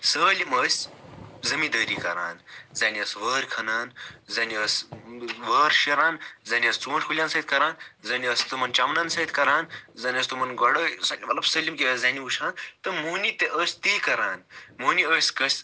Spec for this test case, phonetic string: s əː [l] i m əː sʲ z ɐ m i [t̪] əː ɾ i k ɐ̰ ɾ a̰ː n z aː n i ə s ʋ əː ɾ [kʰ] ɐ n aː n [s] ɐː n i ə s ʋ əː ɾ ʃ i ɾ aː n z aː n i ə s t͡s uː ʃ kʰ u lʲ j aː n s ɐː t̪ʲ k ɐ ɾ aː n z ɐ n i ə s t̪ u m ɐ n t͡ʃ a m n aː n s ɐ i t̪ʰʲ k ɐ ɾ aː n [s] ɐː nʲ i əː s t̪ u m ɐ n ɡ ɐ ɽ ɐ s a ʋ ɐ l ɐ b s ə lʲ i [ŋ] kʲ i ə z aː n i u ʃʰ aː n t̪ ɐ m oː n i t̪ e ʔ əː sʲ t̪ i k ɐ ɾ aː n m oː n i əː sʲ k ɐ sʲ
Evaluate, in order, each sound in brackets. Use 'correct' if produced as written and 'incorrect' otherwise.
correct, incorrect: d̪, correct, incorrect: z, incorrect: z, incorrect: m

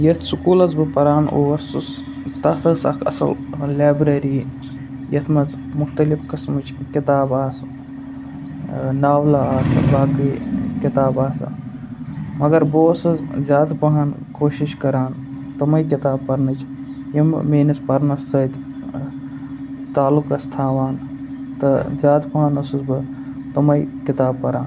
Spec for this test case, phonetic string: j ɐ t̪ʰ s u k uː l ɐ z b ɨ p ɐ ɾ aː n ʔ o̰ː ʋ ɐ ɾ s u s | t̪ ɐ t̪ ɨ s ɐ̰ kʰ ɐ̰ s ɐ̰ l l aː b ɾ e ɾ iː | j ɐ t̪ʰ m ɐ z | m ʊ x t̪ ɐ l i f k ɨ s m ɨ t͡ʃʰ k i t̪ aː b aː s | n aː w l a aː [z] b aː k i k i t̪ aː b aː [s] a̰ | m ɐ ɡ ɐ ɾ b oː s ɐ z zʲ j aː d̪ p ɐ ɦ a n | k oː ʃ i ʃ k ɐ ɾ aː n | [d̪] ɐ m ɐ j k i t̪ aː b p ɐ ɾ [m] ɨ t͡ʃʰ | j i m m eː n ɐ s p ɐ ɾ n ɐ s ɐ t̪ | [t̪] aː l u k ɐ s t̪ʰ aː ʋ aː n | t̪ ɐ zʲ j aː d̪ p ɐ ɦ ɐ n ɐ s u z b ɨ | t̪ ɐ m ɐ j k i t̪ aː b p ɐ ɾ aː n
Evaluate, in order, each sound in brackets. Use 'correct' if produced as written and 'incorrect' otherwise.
incorrect: s, correct, incorrect: t̪, incorrect: n, correct

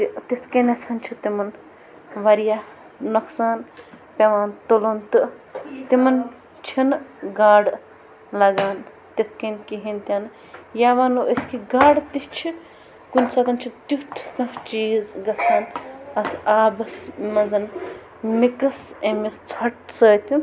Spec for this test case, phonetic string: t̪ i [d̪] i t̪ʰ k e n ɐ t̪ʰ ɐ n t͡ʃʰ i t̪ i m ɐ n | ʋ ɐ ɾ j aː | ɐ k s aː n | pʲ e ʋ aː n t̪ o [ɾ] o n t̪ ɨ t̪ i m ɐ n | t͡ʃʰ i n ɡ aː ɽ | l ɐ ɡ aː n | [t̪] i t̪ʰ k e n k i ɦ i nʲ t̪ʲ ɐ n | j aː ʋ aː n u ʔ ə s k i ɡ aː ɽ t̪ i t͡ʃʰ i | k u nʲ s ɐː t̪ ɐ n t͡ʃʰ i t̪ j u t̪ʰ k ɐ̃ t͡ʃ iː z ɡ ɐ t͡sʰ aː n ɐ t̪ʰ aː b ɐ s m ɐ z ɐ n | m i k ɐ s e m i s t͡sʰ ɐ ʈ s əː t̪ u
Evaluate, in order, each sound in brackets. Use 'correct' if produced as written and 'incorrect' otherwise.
incorrect: t̪, incorrect: l, correct

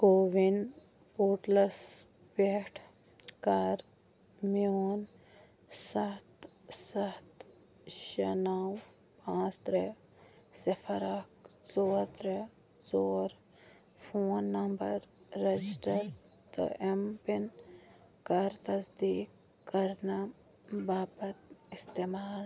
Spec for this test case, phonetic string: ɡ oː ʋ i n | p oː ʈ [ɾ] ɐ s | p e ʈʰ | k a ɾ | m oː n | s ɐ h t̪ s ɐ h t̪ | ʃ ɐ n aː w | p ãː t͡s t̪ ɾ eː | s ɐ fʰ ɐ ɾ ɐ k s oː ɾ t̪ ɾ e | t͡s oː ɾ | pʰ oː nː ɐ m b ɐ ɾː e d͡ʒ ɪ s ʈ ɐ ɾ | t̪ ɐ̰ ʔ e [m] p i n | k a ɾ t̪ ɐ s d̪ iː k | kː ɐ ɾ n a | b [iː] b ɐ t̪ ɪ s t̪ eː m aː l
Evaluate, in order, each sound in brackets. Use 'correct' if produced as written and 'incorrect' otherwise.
incorrect: l, correct, incorrect: aː

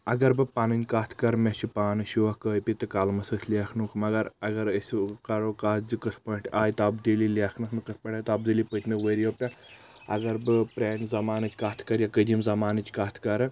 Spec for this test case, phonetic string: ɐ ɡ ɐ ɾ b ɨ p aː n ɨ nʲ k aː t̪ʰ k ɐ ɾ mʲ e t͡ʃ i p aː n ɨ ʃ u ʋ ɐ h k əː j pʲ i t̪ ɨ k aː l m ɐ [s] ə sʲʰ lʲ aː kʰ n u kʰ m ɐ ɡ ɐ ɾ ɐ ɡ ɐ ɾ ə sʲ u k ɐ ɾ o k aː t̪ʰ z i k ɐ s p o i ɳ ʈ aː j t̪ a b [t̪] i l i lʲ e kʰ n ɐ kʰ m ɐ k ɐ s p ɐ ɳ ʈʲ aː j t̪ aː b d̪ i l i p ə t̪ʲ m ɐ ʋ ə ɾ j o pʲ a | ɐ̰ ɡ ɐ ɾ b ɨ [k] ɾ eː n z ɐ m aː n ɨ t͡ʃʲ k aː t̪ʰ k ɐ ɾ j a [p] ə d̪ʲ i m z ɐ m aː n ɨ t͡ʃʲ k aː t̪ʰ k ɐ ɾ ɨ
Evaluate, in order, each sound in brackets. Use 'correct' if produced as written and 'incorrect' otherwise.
correct, incorrect: d̪, incorrect: p, incorrect: k

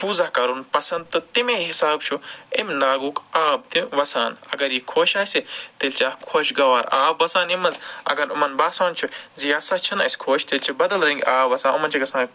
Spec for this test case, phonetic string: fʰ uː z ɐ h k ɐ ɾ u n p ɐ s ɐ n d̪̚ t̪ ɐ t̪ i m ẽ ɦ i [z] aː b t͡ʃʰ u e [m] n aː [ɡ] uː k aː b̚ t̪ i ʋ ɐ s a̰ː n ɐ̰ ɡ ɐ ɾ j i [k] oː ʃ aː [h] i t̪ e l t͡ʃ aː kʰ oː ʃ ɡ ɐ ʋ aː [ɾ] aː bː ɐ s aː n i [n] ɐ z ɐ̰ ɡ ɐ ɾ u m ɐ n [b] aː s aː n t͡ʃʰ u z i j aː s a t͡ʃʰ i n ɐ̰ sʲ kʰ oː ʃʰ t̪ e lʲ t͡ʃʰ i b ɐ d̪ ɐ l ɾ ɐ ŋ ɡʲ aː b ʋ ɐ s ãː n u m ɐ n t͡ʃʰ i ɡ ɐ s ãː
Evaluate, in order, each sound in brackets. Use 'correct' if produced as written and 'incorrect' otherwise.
incorrect: s, correct, correct, incorrect: kʰ, incorrect: s, correct, incorrect: m, correct

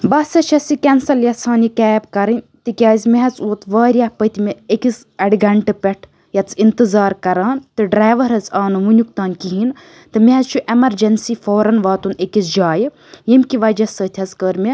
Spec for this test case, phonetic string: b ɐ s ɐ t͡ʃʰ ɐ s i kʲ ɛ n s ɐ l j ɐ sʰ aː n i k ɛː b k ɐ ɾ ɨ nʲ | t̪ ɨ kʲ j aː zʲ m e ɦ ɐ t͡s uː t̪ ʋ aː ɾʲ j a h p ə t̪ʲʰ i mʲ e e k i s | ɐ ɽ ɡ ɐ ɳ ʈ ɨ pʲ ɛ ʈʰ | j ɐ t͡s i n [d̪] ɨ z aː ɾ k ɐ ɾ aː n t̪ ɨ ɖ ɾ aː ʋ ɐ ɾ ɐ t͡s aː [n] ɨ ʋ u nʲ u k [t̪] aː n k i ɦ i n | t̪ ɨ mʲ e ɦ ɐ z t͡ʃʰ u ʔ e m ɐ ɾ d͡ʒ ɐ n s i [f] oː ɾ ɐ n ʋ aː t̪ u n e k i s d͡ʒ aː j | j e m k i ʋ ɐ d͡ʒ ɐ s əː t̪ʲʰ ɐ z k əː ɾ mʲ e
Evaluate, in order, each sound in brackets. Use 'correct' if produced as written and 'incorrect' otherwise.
incorrect: t̪, correct, correct, correct

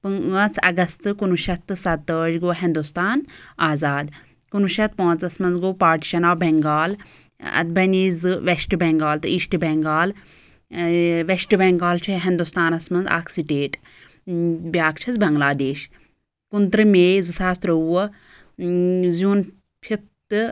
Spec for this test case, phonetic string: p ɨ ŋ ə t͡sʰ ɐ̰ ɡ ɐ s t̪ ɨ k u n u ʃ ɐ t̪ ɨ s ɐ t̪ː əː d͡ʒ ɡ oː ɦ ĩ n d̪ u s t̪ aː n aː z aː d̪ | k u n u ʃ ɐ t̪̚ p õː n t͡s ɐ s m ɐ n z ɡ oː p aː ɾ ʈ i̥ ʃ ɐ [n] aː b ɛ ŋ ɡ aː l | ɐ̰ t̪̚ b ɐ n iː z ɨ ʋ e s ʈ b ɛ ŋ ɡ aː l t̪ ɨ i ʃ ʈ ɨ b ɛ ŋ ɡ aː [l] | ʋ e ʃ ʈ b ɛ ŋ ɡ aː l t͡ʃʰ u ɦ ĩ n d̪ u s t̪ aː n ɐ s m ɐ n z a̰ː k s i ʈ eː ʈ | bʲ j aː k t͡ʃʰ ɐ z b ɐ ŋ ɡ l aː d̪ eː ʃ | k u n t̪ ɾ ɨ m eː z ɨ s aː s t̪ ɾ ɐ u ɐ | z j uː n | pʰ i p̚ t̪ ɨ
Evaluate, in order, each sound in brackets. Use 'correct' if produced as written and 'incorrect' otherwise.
correct, correct

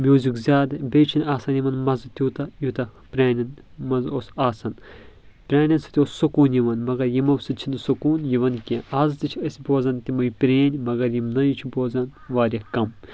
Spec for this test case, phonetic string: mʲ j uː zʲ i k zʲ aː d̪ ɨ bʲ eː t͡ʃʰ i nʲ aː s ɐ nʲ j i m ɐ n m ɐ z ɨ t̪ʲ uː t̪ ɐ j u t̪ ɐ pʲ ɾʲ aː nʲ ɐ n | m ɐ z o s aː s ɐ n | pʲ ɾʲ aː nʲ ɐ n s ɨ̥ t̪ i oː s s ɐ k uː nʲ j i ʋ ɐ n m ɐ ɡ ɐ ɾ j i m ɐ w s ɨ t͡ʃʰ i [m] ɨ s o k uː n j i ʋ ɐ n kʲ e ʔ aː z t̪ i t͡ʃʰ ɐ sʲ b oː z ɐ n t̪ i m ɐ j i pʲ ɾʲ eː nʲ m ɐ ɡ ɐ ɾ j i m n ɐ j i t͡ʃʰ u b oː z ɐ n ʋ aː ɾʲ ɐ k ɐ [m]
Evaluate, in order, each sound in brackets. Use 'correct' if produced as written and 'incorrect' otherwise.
incorrect: n, correct

